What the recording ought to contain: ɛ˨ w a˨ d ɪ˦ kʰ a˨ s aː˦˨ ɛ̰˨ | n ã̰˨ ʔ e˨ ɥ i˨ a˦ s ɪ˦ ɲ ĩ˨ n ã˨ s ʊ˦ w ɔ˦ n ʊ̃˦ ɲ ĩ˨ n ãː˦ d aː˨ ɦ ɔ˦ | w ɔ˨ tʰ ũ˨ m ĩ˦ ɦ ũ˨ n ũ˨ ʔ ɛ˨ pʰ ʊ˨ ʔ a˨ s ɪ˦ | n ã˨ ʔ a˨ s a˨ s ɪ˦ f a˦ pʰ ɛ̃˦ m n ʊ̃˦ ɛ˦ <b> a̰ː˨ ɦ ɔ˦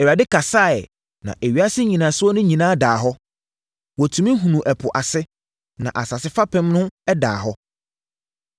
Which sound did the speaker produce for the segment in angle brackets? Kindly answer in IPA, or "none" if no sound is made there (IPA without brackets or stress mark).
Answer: d